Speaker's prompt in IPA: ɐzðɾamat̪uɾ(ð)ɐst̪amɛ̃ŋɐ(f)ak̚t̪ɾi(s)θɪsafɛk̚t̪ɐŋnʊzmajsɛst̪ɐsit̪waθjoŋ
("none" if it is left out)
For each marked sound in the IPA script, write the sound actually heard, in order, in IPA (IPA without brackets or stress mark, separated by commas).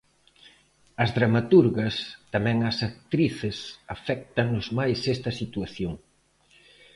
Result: ɣ, s, none